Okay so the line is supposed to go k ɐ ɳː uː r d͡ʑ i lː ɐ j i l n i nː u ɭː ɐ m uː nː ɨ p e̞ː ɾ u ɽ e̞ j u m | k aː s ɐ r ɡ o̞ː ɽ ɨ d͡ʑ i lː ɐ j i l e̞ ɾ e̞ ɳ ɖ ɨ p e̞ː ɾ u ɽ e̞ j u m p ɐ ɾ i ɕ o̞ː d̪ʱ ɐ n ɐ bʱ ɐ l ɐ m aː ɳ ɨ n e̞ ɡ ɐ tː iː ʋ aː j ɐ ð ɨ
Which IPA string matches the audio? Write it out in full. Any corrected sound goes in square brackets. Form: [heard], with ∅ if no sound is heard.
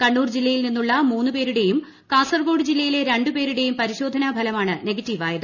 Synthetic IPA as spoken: k ɐ ɳː uː r d͡ʑ i lː ɐ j i l n i nː u ɭː ɐ m uː nː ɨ p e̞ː ɾ u ɽ e̞ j u m | k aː s ɐ r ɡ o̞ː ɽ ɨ d͡ʑ i lː ɐ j i l e̞ ɾ e̞ ɳ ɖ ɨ p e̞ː ɾ u ɽ e̞ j u m p ɐ ɾ i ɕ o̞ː d̪ʱ ɐ n ɐ bʱ ɐ l ɐ m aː ɳ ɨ n e̞ ɡ ɐ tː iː ʋ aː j ɐ ð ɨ

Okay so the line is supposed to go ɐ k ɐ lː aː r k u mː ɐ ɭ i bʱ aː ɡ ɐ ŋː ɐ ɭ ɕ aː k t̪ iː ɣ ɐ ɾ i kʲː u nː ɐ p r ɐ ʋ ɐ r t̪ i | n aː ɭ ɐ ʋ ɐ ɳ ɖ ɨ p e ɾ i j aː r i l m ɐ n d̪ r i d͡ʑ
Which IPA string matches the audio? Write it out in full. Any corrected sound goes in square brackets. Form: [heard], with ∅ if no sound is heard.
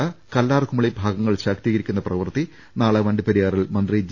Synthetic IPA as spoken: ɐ k ɐ lː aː r k u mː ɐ ɭ i bʱ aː ɡ ɐ ŋː ɐ ɭ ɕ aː k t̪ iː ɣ ɐ ɾ i kʲː u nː ɐ p r ɐ ʋ ɐ r t̪ i | n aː ɭ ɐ ʋ ɐ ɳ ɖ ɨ p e ɾ i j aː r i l m ɐ n d̪ r i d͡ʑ

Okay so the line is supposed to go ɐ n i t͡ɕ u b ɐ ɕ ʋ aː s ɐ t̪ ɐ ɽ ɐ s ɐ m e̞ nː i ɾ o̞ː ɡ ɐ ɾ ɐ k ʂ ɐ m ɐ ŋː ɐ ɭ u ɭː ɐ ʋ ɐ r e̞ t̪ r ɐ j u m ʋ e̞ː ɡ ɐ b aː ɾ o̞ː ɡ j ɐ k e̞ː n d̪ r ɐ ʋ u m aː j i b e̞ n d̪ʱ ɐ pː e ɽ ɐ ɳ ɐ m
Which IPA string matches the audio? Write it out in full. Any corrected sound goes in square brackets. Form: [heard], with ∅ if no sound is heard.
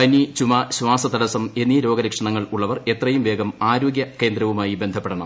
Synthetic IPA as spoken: ɐ n i t͡ɕ u [m] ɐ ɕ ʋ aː s ɐ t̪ ɐ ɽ ɐ s ɐ m e̞ nː i ɾ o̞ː ɡ ɐ ɾ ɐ k ʂ ɐ [ɳ] ɐ ŋː ɐ ɭ u ɭː ɐ ʋ ɐ r e̞ t̪ r ɐ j u m ʋ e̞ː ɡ ɐ [m] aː ɾ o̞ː ɡ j ɐ k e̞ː n d̪ [ɾ] ɐ ʋ u m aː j i b e̞ n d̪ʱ ɐ pː e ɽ ɐ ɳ ɐ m

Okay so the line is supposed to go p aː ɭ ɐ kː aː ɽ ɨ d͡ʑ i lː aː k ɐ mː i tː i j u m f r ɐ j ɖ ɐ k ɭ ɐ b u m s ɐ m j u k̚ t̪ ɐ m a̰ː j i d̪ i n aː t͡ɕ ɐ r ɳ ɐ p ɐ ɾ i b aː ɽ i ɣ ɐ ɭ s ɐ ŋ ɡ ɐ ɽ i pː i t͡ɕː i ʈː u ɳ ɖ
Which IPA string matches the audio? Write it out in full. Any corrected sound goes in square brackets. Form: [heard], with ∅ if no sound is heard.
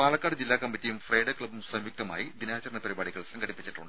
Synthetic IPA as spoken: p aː ɭ ɐ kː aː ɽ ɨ d͡ʑ i lː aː k ɐ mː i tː i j u m f r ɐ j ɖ ɐ k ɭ ɐ b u m s ɐ m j u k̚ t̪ ɐ m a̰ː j i d̪ i n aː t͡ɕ ɐ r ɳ ɐ p ɐ ɾ i b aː ɽ i ɣ ɐ ɭ s ɐ ŋ ɡ ɐ ɽ i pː i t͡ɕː i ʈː u ɳ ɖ

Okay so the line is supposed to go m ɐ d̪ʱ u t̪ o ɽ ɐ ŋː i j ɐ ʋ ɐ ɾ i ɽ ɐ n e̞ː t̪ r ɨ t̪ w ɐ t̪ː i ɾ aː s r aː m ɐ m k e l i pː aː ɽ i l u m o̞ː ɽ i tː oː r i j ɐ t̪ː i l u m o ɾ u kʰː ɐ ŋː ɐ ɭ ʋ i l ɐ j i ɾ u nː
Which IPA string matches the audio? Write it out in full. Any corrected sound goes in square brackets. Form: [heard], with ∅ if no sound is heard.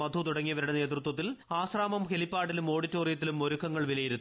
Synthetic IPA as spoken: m ɐ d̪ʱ u t̪ [u] ɽ ɐ ŋː i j ɐ ʋ ɐ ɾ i ɽ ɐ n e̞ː t̪ r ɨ t̪ w ɐ t̪ː i [l] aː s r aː m ɐ m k e l i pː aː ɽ i l u m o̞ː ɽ i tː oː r i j ɐ t̪ː i l u m o ɾ u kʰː ɐ ŋː ɐ ɭ ʋ i l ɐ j i ɾ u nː

